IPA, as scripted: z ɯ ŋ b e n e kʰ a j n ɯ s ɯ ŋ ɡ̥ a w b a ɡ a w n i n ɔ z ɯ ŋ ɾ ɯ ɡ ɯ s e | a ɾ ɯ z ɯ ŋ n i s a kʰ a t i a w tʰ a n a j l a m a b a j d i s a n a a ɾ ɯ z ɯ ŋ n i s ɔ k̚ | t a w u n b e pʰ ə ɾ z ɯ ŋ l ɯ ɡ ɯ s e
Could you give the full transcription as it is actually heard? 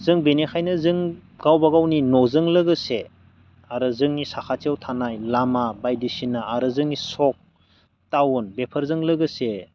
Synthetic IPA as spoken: z ɯ ŋ b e n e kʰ a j n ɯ z ɯ ŋ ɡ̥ a w b a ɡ a w n i n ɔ z ɯ ŋ l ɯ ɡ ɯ s e | a ɾ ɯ z ɯ ŋ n i s a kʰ a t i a w tʰ a n a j l a m a b a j d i s i n a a ɾ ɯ z ɯ ŋ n i s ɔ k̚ | t a w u n b e pʰ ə ɾ z ɯ ŋ l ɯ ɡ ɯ s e